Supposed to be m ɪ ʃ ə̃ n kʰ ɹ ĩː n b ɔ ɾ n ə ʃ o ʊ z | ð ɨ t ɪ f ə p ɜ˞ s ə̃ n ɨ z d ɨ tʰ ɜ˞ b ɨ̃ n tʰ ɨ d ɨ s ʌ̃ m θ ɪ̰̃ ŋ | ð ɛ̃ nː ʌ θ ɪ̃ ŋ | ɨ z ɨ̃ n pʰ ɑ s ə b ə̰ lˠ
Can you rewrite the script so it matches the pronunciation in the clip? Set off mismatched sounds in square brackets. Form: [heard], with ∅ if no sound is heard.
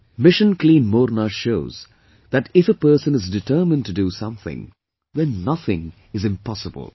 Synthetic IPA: m ɪ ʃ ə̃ n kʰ [l] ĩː n [m] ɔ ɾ n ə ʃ o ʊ z | ð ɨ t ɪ f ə p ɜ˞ s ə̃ n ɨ z d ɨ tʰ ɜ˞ [m] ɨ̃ n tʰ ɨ d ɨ s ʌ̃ m θ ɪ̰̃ ŋ | ð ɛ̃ nː ʌ θ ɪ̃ ŋ | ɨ z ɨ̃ [m] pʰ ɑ s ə b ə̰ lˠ